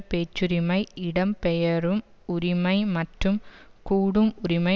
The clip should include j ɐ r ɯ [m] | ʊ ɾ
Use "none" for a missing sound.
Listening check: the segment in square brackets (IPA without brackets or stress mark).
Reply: m